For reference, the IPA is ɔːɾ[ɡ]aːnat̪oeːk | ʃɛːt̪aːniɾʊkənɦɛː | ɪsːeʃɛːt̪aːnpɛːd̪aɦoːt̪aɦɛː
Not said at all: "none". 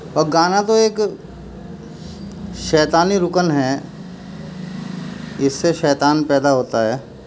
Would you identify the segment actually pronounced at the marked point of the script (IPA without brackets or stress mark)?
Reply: ɡ